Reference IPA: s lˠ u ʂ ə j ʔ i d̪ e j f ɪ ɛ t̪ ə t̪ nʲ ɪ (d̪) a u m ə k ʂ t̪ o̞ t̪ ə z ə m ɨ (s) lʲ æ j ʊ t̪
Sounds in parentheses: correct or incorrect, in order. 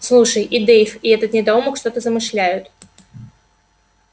correct, incorrect: ʂ

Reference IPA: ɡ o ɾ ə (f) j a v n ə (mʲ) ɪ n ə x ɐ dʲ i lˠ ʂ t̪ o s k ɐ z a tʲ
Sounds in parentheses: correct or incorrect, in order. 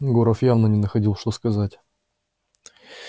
correct, incorrect: nʲ

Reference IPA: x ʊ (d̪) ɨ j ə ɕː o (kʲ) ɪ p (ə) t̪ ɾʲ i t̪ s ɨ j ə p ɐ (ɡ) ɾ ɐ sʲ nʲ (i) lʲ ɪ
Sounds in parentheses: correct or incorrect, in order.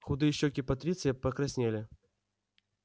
correct, correct, incorrect: ɐ, incorrect: k, incorrect: e

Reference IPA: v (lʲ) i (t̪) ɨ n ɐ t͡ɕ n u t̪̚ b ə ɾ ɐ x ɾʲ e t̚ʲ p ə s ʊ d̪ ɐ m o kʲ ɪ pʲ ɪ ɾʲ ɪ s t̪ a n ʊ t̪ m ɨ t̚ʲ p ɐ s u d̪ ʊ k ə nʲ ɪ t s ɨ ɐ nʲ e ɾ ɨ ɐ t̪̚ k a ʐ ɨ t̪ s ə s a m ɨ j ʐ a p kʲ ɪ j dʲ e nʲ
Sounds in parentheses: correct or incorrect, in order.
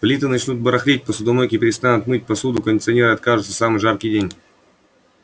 correct, correct

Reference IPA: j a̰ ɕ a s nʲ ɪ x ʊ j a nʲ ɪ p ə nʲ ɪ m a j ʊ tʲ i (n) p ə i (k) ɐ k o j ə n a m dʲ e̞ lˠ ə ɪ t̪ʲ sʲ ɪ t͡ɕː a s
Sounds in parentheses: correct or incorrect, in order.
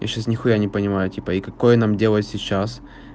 incorrect: none, correct

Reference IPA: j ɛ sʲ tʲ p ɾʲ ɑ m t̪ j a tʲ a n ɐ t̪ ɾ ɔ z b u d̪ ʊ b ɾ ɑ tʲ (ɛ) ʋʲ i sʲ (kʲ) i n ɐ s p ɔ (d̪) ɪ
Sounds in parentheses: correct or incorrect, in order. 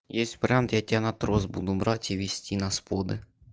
incorrect: i, incorrect: tʲ, correct

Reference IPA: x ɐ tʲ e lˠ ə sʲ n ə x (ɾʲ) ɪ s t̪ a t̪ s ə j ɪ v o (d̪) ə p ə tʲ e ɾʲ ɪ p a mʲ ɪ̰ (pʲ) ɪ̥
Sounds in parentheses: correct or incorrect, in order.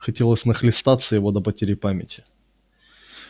incorrect: lʲ, correct, incorrect: tʲ

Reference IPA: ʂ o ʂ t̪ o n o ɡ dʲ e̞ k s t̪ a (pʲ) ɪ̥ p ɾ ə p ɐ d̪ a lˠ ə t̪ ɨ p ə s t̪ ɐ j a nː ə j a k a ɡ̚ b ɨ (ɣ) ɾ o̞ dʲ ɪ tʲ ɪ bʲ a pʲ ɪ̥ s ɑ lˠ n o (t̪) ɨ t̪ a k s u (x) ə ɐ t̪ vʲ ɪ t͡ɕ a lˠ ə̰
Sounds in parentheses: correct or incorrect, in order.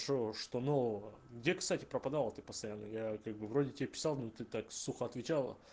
incorrect: tʲ, incorrect: v, correct, correct

